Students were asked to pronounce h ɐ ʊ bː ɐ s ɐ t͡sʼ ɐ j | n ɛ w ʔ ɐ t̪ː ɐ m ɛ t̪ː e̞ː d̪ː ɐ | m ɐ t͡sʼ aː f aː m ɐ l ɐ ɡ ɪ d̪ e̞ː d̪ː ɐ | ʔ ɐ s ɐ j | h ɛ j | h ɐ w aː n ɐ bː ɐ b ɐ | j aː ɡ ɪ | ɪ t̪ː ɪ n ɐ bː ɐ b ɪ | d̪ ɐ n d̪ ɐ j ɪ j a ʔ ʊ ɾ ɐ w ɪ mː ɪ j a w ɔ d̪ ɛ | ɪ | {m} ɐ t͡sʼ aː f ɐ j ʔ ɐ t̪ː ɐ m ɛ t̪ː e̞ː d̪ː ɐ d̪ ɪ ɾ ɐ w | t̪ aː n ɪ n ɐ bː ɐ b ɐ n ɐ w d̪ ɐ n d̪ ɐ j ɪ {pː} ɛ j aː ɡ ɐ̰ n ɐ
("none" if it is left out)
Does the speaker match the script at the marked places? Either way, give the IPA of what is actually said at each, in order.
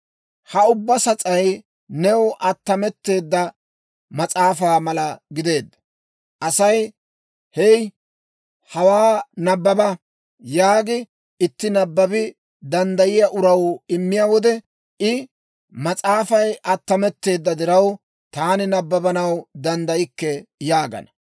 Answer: m, kː

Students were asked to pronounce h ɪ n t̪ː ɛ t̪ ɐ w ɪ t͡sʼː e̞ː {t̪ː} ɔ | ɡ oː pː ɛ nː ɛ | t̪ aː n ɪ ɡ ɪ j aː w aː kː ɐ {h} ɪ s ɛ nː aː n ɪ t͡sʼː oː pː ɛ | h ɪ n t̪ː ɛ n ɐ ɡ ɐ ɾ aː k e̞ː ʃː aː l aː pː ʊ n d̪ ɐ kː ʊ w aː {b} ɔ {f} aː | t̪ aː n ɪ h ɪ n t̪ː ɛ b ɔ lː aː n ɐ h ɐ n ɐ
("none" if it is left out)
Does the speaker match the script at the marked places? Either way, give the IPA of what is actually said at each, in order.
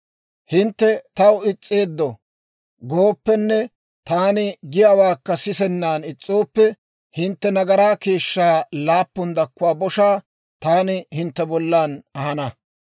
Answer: d̪ː, s, b, ʃ

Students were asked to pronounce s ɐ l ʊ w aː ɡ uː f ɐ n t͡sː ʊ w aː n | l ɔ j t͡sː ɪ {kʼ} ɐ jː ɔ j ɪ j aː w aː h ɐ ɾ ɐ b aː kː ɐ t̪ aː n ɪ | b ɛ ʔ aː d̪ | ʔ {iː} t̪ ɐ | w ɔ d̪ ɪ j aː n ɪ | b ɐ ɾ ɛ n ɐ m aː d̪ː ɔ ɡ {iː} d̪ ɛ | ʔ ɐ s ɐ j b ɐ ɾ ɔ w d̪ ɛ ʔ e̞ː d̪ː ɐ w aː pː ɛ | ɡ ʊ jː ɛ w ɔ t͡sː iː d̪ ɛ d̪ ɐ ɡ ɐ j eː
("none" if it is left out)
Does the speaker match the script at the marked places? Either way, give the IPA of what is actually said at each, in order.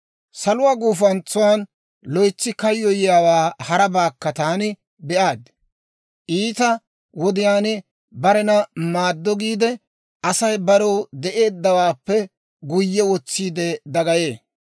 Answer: k, iː, iː

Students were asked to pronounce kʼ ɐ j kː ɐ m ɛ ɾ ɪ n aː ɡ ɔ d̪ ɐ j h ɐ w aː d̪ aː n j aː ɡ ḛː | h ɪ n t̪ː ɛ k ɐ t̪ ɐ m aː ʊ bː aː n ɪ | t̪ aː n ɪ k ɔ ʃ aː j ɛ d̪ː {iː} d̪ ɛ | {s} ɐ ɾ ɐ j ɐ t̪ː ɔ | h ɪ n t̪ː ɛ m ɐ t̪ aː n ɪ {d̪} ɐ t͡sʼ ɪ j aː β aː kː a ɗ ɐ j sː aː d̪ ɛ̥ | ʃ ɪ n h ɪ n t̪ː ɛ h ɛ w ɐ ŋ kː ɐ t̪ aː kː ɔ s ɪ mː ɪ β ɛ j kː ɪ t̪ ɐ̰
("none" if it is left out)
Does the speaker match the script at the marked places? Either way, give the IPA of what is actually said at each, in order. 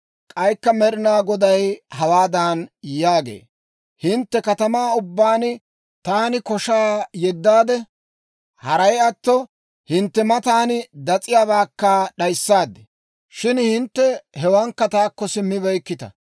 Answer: aː, h, d̪

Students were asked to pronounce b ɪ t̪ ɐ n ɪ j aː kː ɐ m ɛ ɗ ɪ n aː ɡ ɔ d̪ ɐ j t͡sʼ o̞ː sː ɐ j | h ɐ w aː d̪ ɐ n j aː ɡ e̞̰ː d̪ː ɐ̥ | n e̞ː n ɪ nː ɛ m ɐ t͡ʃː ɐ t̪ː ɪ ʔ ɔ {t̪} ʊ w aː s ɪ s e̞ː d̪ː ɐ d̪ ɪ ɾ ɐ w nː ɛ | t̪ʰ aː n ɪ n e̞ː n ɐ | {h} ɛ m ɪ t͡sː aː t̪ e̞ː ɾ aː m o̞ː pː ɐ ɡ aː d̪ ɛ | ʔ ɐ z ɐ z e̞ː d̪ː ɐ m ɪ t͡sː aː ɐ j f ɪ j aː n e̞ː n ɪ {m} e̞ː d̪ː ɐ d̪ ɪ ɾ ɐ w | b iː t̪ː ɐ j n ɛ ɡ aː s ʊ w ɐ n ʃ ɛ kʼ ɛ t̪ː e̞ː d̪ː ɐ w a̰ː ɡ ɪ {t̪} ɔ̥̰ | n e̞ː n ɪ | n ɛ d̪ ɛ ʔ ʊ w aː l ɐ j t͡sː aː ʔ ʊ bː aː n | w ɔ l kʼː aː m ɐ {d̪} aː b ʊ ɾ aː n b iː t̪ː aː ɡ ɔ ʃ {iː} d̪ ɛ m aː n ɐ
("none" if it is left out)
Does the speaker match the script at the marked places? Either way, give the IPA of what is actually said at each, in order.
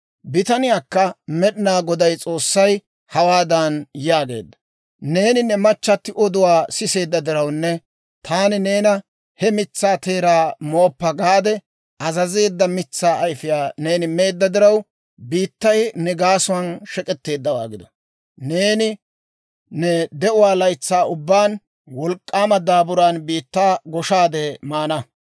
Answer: d̪, h, m, d̪, d̪, aː

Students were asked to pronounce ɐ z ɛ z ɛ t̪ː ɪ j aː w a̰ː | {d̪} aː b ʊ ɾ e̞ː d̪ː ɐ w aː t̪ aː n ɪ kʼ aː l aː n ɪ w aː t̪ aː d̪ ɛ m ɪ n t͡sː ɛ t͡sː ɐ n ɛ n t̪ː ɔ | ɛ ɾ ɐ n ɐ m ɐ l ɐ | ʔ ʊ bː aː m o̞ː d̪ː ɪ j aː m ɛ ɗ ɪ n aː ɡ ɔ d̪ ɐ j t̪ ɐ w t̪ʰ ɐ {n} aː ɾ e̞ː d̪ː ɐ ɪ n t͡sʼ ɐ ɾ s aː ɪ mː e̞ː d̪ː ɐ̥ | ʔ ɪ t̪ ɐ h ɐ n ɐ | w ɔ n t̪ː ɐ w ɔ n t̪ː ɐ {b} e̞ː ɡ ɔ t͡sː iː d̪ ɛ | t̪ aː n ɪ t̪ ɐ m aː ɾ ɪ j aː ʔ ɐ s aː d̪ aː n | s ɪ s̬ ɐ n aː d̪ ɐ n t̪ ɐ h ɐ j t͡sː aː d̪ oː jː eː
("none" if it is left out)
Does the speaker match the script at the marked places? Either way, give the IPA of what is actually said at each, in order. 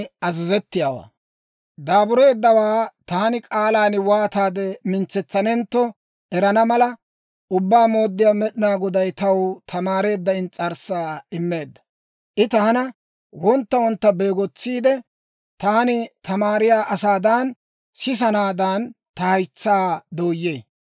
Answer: d̪, m, b

